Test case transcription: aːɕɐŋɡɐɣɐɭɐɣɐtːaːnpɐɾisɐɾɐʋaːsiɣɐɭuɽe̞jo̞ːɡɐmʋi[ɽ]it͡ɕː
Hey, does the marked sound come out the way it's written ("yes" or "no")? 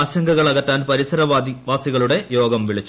no